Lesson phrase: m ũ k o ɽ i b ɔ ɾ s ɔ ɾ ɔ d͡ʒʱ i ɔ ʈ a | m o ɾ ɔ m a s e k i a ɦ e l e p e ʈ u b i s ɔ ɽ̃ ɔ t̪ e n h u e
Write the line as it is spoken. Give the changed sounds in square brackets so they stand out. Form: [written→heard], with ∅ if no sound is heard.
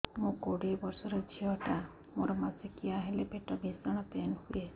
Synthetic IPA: m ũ k o ɽ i b ɔ ɾ s ɔ ɾ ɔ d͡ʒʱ i ɔ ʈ a | m o ɾ ɔ m a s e k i a ɦ e l e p e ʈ [u→ɔ] b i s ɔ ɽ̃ ɔ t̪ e n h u e